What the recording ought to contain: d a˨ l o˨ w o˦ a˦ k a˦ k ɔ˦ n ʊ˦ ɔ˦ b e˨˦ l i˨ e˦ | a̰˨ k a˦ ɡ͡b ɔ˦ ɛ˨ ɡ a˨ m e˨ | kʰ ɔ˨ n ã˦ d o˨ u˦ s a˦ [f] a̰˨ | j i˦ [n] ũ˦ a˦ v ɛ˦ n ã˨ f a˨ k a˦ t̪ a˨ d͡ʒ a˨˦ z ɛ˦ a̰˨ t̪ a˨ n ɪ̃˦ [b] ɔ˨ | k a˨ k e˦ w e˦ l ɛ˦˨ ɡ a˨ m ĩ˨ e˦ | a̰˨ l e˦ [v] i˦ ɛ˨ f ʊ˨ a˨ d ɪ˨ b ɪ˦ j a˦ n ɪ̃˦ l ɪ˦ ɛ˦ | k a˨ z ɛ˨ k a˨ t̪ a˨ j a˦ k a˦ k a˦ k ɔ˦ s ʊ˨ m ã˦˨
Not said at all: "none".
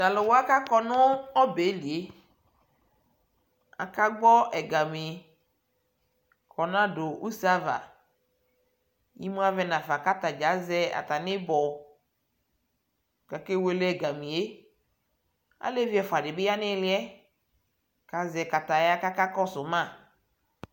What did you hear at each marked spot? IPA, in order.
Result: v, m, b, v

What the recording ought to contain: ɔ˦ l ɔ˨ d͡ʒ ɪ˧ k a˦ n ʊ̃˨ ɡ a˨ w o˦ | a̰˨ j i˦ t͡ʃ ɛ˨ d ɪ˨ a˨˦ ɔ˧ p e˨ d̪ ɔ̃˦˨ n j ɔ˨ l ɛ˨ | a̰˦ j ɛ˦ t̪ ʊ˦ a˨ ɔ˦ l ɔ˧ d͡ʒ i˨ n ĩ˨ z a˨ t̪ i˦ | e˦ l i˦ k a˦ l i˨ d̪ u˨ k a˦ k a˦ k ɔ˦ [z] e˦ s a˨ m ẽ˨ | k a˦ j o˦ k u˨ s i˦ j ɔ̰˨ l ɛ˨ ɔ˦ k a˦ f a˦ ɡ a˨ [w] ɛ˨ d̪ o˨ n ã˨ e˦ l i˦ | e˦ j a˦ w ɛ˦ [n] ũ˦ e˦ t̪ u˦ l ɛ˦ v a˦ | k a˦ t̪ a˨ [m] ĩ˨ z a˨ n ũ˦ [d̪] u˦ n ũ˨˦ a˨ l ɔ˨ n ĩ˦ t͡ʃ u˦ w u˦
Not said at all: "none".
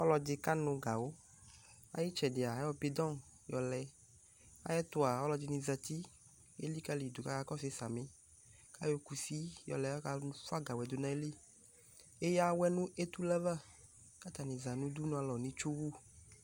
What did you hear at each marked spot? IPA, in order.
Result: s, w, n, n, d̪

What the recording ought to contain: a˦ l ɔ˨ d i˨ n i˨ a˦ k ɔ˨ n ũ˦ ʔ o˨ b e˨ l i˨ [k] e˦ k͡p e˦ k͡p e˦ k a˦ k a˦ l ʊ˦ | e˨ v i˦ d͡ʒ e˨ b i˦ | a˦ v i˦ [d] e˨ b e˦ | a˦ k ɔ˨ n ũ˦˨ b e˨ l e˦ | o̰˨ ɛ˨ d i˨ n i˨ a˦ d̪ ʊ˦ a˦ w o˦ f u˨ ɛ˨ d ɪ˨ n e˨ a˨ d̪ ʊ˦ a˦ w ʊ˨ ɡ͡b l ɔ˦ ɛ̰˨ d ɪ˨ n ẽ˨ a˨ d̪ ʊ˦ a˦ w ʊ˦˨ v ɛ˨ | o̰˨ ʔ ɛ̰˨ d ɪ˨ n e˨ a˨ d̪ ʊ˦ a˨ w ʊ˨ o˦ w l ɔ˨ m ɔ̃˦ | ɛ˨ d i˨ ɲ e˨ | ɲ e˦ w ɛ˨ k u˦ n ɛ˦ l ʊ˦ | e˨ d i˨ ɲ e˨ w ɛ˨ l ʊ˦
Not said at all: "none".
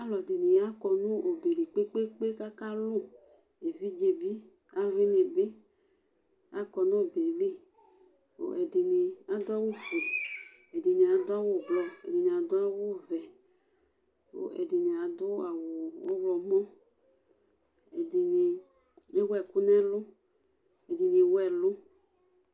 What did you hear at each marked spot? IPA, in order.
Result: k͡p, n

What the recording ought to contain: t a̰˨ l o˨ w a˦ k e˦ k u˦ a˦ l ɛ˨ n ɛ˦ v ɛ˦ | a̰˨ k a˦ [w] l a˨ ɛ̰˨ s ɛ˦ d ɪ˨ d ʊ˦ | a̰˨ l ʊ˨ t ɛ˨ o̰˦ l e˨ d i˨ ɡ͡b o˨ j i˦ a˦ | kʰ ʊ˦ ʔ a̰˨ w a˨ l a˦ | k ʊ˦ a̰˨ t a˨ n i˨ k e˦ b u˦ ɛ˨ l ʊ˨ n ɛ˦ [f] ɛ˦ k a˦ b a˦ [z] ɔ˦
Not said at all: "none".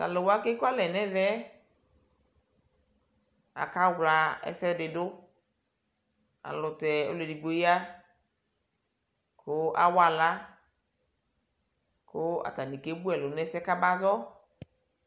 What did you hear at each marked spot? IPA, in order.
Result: w, s, z

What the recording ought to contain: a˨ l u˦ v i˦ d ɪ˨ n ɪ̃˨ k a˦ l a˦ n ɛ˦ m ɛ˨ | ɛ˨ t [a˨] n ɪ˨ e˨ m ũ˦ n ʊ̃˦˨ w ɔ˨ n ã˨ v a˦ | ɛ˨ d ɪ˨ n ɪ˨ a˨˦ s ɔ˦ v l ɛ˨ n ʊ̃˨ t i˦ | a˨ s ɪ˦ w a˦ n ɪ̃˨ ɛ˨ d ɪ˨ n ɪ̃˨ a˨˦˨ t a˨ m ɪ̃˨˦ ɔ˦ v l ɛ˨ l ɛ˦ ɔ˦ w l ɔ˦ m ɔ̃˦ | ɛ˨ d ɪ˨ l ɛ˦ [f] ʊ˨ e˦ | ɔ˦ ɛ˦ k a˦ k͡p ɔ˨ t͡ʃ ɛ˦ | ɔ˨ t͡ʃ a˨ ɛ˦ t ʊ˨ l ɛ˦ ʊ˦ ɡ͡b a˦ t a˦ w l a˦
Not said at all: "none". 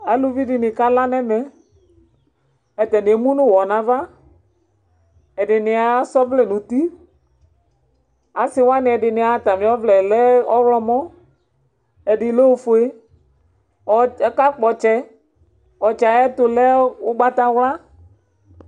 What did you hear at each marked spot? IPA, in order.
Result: ɛ˨, f

